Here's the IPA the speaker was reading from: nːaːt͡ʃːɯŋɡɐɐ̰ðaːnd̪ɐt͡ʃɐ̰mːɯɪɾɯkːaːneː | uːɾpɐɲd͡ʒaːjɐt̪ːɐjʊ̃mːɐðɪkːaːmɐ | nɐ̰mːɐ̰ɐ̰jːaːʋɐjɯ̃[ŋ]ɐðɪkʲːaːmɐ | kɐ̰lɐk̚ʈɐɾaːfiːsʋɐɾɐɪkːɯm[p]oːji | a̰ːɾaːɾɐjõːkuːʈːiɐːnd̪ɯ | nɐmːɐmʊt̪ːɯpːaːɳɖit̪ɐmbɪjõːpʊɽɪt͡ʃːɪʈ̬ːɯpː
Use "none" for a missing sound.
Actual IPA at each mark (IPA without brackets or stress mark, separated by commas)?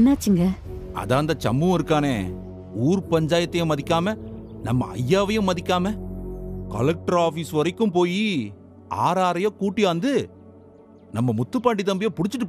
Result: m, p